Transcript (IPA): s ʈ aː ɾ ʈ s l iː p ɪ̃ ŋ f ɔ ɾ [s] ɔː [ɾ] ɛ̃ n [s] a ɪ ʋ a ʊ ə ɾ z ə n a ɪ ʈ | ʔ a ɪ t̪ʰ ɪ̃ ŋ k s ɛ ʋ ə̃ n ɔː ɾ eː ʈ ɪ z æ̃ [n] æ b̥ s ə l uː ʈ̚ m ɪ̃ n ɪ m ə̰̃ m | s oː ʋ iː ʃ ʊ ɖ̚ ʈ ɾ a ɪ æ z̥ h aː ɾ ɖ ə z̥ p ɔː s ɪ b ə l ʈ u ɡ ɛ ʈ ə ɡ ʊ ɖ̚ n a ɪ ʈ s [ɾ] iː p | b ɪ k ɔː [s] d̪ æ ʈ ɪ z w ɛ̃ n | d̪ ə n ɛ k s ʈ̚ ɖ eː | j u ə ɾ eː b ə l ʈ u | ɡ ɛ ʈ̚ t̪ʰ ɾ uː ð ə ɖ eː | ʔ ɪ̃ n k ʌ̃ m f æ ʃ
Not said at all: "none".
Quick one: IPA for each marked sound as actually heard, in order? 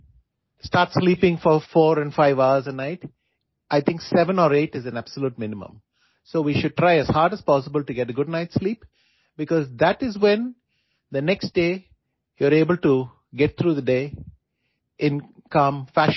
f, ɾ, f, n, l, z

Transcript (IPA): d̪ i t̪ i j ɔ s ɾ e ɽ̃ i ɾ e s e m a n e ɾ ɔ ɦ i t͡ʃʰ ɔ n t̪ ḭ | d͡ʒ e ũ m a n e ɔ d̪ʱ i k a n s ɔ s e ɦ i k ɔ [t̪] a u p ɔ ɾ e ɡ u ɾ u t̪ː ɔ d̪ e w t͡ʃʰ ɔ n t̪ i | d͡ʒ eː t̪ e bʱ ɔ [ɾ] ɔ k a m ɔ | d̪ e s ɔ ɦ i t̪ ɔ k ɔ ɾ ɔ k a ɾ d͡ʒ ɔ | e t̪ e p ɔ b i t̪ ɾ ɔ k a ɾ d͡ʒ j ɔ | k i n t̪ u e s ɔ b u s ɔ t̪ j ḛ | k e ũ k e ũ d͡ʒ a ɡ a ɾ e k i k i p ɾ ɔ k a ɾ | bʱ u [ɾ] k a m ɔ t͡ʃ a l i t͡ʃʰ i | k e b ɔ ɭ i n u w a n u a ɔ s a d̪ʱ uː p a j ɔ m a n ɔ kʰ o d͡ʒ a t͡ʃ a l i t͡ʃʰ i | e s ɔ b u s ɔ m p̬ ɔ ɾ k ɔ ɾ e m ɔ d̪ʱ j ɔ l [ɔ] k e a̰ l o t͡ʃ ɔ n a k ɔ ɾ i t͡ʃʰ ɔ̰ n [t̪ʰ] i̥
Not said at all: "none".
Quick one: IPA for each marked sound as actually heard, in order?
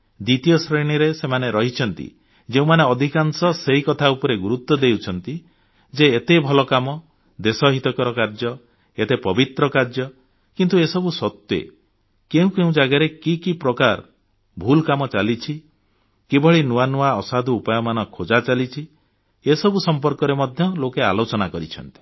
t̪ʰ, l, l, o, t̪

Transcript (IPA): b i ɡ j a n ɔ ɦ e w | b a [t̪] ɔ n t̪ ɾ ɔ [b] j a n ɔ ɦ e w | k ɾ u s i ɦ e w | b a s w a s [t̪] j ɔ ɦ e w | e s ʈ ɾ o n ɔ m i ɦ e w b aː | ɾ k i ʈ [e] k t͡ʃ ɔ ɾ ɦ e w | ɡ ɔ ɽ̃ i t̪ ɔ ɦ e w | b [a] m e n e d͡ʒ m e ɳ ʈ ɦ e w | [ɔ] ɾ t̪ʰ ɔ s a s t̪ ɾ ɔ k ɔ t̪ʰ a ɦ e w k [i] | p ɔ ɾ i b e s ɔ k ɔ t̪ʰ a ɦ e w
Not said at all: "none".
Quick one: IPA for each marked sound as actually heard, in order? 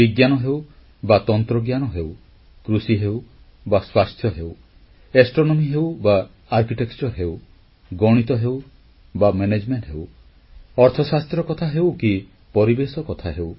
t̪, ɡ, t̪ʰ, e, a, ɔ, i

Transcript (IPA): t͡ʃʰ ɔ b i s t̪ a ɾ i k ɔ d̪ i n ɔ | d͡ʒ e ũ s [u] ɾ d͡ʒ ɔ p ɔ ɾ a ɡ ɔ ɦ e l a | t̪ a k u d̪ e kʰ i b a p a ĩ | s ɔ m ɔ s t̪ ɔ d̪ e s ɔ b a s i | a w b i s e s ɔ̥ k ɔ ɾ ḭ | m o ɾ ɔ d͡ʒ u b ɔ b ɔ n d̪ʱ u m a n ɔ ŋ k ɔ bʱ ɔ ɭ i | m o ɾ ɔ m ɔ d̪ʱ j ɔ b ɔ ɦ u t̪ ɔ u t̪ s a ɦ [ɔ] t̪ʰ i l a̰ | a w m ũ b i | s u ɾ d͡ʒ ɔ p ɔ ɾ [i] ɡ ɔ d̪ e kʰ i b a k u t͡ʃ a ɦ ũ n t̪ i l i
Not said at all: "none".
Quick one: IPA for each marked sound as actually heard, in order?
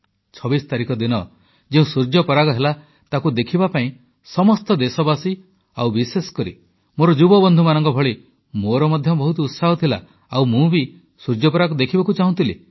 u, ɔ, a

